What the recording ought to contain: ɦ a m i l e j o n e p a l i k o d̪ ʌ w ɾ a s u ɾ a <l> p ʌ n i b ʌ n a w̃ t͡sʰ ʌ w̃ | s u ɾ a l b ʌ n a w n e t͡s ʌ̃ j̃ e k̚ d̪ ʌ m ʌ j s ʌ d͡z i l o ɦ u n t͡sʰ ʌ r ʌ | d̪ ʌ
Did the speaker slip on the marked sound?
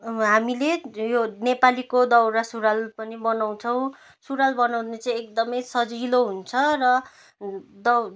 no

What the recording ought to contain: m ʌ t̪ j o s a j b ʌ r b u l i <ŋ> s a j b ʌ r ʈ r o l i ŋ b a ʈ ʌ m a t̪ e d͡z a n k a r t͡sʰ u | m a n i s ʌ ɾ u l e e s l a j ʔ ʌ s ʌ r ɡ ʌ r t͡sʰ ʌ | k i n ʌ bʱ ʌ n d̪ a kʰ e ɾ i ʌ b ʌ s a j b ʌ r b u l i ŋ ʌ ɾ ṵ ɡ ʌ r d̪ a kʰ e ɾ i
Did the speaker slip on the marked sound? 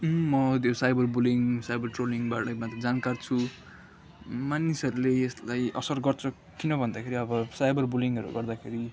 no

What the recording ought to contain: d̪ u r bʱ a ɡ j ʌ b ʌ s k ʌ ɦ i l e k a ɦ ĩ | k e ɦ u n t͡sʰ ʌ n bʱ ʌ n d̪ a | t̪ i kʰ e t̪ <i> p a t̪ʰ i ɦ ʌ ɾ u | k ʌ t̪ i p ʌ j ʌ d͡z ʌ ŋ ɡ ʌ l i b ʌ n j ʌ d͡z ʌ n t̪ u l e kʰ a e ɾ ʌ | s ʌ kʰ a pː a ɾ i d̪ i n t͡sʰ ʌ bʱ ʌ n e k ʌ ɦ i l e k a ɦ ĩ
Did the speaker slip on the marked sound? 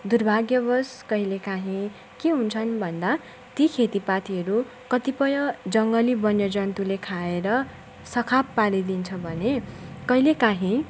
no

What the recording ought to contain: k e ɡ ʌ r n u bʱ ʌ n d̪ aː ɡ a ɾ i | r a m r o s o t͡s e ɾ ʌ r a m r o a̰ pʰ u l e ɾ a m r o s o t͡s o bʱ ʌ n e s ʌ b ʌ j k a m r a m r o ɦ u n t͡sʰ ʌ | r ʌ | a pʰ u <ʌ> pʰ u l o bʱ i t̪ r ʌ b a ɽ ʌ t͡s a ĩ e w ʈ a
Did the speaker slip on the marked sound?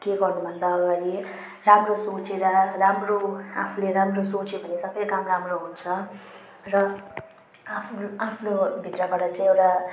yes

